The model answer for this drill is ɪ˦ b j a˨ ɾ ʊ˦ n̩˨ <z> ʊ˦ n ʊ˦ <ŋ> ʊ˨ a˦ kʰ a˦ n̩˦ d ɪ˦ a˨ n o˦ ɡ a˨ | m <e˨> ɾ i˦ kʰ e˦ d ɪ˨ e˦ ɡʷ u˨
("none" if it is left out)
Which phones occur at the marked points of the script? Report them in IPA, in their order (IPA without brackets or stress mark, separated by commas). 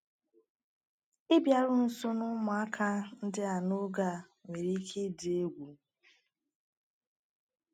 s, m, e˨